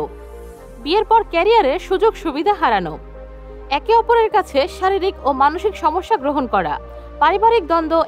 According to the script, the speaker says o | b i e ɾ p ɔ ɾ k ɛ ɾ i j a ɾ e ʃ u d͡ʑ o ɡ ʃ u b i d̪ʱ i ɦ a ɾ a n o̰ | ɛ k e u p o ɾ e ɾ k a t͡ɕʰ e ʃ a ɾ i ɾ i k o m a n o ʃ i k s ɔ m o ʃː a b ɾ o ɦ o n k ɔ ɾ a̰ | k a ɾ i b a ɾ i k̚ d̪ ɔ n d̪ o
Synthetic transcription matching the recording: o | b i e ɾ p ɔ ɾ k ɛ ɾ i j a ɾ e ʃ u d͡ʑ o ɡ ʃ u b i d̪ʱ a ɦ a ɾ a n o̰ | ɛ k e ɔ p o ɾ e ɾ k a t͡ɕʰ e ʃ a ɾ i ɾ i k o m a n o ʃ i k ʃ ɔ m o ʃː a ɡ ɾ o ɦ o n k ɔ ɾ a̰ | p a ɾ i b a ɾ i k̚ d̪ ɔ n d̪ o